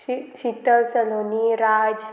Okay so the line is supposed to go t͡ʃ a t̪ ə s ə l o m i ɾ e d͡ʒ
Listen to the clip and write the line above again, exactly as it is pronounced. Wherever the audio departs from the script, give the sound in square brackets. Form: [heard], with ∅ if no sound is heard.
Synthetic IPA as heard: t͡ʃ [i] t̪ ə s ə l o [n] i ɾ [a] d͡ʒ